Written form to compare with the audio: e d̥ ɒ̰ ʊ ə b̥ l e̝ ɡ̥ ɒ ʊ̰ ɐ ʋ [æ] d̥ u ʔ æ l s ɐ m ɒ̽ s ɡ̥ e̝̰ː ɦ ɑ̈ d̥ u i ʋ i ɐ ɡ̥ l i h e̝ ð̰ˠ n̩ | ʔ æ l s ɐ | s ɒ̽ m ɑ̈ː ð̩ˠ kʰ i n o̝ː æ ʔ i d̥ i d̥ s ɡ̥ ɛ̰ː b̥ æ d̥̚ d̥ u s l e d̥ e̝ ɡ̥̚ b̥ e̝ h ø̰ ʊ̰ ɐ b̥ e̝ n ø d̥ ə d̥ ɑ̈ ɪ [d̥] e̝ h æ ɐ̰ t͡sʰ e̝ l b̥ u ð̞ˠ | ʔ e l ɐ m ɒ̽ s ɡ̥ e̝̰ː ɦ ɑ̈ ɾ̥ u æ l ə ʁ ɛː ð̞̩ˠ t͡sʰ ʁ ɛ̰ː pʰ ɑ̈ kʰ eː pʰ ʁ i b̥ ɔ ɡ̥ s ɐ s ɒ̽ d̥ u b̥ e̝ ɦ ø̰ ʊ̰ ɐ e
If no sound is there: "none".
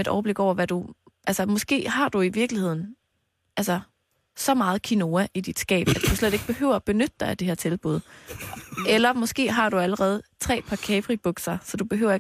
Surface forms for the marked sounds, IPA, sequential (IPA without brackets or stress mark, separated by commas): æ, d̥